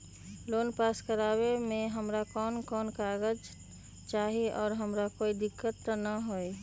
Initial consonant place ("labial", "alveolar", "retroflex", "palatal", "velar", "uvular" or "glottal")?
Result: alveolar